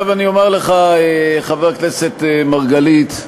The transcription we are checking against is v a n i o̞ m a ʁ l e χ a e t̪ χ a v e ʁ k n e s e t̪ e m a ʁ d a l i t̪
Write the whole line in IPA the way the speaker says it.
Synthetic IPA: v a n i o̞ m e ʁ l e χ a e χ a v e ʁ k n e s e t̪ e m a ʁ ɡ a l i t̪